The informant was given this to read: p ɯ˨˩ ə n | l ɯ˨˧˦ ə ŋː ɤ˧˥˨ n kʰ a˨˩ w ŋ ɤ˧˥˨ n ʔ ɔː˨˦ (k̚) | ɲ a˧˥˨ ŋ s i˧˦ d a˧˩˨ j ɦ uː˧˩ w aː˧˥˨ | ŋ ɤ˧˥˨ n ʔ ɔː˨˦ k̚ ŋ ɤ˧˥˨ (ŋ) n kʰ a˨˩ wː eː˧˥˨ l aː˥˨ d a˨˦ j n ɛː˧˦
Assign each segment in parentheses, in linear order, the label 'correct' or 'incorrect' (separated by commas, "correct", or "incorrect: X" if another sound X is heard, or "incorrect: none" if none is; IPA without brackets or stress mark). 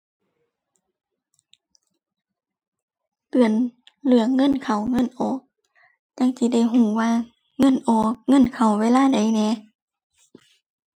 correct, incorrect: none